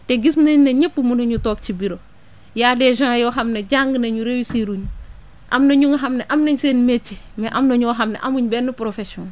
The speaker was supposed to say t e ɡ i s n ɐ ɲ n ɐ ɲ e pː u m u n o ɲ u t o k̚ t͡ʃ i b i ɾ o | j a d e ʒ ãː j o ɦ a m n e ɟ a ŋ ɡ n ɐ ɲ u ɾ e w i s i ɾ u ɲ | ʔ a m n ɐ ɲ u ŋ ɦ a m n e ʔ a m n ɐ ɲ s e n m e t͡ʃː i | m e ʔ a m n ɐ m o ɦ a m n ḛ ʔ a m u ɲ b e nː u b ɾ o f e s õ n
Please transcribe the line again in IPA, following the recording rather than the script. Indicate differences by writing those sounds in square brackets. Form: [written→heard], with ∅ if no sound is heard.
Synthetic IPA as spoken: t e ɡ i s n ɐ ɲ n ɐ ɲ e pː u m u n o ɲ u t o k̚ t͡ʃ i b i ɾ o | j a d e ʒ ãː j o ɦ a m n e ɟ a ŋ ɡ n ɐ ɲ u ɾ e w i s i ɾ u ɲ | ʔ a m n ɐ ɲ u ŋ ɦ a m n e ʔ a m n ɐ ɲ s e n m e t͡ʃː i | m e ʔ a m n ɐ [m→ɲ] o ɦ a m n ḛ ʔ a m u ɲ b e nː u [b→p] ɾ o f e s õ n